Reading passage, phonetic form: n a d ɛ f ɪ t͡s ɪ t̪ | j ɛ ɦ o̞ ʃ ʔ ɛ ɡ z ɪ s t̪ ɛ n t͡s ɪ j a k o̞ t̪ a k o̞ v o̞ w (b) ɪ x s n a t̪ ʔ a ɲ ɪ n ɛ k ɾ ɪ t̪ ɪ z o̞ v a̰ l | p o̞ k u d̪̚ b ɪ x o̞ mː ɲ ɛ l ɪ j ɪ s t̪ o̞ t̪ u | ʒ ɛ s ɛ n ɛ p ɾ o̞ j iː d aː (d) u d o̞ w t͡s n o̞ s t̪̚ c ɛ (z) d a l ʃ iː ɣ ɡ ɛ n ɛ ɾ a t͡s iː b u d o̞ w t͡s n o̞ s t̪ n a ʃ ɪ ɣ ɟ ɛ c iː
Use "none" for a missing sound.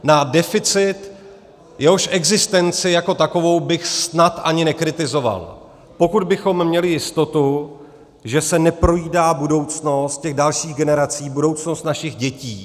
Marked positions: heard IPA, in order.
b, b, ɣ

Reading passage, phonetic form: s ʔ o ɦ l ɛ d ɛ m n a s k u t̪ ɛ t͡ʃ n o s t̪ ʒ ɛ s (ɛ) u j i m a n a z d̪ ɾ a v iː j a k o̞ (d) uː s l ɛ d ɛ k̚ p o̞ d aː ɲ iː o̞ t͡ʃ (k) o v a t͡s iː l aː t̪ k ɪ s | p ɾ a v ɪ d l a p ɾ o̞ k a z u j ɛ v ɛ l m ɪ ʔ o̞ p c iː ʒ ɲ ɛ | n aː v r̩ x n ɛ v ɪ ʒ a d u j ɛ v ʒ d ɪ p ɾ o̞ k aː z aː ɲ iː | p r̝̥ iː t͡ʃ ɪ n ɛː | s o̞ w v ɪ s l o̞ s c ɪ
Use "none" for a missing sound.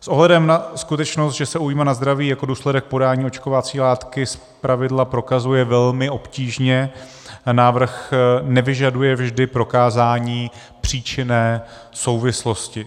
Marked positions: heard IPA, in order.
ɛ, d, k

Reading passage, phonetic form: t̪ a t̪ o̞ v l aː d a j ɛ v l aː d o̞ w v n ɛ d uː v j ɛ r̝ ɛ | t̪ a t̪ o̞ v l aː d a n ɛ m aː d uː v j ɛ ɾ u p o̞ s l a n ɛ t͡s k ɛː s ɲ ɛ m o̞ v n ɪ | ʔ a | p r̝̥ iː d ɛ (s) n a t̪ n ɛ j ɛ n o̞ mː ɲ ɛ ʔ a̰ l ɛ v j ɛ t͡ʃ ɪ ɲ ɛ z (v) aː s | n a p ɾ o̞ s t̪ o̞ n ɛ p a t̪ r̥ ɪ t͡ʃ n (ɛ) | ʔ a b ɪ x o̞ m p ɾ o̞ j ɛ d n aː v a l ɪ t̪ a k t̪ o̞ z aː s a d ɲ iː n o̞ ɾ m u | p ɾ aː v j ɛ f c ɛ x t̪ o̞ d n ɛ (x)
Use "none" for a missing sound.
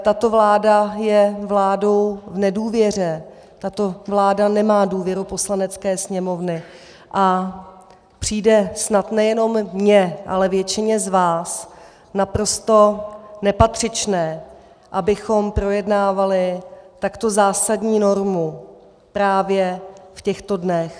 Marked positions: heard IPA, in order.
s, v, ɛː, x

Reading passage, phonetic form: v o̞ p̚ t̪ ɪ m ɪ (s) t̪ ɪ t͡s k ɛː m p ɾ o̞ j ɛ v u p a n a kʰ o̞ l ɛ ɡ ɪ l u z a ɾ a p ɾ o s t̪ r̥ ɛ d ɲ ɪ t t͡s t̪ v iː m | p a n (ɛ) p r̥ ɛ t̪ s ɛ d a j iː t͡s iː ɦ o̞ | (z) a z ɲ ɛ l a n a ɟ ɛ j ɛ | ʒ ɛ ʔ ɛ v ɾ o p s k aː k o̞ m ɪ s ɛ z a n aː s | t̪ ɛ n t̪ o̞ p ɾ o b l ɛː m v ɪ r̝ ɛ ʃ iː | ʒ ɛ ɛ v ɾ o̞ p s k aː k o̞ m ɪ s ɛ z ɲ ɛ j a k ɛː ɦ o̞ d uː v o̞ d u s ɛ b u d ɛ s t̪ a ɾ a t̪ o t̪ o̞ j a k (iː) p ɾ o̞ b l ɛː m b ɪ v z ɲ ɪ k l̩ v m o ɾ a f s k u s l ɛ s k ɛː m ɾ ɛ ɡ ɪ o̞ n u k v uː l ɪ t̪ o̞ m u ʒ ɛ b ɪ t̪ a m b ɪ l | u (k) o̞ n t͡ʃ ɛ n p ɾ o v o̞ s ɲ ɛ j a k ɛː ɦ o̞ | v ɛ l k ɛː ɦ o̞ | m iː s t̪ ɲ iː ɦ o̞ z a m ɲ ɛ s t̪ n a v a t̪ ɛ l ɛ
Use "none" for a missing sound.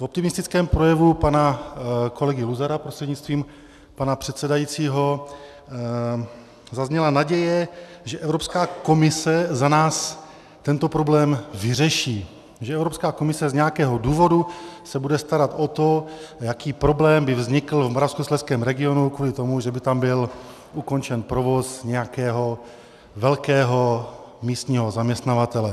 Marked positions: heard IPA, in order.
s, a, z, iː, k

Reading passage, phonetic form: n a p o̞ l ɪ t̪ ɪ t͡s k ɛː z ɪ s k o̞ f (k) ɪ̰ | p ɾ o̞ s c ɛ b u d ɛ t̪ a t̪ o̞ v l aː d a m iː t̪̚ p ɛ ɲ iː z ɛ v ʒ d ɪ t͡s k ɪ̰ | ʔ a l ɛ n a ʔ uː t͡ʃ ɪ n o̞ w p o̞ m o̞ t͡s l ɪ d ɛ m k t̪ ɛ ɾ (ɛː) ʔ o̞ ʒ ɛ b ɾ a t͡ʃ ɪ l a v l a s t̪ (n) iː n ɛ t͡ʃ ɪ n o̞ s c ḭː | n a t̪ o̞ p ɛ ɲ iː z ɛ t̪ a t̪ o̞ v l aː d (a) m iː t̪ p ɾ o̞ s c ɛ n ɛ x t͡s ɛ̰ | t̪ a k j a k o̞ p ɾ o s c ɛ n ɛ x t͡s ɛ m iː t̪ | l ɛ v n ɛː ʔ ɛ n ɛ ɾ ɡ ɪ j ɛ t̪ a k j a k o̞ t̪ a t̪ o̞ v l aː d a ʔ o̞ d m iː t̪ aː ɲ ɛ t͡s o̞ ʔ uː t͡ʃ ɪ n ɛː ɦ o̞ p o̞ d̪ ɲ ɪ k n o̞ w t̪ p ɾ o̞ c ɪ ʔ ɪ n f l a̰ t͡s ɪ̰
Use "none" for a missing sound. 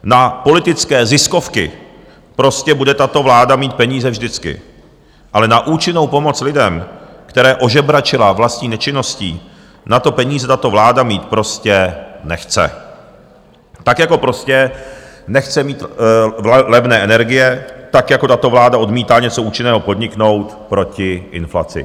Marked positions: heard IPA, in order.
k, ɛː, ɲ, a

